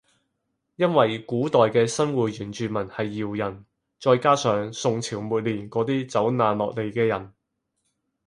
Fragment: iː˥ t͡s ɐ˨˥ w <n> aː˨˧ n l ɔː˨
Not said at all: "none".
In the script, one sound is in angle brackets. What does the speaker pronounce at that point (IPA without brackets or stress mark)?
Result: n